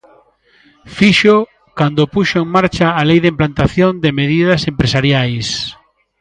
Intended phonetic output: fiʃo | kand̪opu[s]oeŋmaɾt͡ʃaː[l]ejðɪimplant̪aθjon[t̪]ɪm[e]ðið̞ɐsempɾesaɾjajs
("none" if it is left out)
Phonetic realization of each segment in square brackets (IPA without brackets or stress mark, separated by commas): ʃ, l, d̪, e